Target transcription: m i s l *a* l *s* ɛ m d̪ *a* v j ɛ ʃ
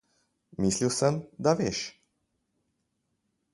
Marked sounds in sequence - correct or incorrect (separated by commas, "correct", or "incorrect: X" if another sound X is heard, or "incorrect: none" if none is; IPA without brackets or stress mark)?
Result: incorrect: i, correct, correct